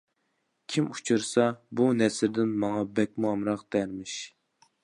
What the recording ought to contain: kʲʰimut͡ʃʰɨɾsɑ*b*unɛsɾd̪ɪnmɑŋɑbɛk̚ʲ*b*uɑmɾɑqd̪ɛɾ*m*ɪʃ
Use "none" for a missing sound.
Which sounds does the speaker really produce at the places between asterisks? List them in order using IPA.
b, m, m

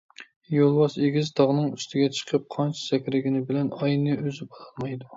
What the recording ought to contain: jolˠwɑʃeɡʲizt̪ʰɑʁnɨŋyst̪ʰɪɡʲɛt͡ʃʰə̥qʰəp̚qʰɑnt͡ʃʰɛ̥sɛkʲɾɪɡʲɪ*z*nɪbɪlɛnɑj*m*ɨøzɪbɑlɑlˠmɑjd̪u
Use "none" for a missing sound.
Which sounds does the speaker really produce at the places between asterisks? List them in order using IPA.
none, n

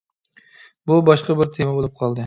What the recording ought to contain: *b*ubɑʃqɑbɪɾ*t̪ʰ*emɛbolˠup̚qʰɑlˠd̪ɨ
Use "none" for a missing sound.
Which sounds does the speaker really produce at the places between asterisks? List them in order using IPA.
b, t̪ʰ

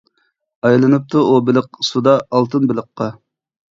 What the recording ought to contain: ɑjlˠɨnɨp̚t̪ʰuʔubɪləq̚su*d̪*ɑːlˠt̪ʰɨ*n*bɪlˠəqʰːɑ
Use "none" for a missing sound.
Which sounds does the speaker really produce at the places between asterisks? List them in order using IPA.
d̪, n

